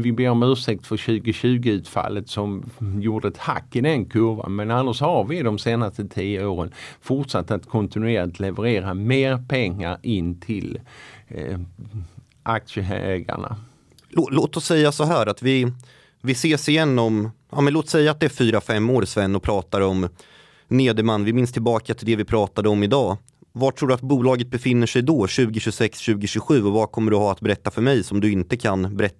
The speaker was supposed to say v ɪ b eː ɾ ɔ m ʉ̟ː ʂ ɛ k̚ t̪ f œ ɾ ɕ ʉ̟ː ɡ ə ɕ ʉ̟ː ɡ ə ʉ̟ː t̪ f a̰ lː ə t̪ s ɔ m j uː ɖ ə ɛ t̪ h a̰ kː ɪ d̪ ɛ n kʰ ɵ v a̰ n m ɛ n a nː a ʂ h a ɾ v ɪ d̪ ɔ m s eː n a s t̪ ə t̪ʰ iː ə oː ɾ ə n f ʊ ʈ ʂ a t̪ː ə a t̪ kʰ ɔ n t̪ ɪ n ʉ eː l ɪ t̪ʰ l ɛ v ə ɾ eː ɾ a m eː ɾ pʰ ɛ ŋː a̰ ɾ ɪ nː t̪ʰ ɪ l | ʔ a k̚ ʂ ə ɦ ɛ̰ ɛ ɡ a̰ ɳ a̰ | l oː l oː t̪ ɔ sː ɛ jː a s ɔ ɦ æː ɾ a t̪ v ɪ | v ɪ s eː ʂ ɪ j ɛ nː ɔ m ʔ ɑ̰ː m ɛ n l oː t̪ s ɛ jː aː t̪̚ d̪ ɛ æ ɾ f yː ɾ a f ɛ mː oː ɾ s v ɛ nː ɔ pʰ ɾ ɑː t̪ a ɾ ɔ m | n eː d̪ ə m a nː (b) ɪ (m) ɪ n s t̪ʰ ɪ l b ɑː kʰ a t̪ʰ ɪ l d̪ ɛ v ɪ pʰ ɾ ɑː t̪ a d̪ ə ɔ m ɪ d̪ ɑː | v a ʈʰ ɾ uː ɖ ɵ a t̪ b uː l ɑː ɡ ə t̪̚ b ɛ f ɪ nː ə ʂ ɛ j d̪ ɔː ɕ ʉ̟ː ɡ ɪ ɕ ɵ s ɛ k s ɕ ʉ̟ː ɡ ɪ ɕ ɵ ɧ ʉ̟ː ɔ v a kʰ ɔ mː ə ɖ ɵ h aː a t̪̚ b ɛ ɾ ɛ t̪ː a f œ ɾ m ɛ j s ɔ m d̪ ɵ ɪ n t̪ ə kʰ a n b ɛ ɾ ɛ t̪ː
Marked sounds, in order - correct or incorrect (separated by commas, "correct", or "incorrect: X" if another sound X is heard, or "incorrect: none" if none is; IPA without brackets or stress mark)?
incorrect: v, correct